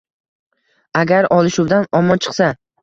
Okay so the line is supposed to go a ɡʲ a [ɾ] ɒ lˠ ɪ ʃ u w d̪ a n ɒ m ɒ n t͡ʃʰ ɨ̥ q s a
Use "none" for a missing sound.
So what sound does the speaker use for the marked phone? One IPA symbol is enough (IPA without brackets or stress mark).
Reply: ɾ